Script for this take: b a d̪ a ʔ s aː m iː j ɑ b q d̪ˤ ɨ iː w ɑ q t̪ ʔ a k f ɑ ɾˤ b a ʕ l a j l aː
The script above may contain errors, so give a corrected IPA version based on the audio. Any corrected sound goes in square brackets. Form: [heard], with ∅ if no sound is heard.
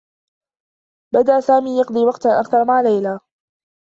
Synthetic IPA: b a d̪ a ʔ s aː m iː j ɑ [∅] q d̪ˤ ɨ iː w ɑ q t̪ ʔ a k [θ] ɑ ɾˤ [m] a ʕ l a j l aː